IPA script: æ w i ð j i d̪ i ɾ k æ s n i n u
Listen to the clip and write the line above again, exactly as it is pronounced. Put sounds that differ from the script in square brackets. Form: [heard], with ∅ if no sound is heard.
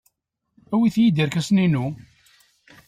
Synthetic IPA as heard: æ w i [θ] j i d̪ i ɾ k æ s n i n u